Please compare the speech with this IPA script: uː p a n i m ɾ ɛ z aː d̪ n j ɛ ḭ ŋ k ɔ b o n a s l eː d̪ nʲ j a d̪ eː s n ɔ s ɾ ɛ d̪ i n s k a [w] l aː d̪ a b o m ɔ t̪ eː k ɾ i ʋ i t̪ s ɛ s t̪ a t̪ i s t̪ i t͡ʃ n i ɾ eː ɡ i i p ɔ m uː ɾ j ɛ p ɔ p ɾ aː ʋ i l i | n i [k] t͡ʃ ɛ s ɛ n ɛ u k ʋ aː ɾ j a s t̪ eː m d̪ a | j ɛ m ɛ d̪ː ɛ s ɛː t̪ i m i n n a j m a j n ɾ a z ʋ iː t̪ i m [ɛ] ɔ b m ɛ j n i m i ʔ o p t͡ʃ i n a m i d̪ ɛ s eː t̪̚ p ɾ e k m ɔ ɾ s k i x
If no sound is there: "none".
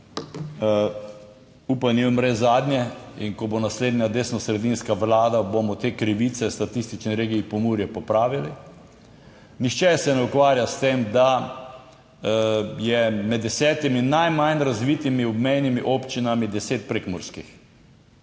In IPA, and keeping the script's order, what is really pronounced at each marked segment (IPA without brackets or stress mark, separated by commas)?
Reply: ʋ, x, i